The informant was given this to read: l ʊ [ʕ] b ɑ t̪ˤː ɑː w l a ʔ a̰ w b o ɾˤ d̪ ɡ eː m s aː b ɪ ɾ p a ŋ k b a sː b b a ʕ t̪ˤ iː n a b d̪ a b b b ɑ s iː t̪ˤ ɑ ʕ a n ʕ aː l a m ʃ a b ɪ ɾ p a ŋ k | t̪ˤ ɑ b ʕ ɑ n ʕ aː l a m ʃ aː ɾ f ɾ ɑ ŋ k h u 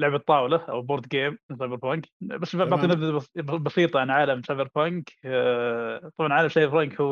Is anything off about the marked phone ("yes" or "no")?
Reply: no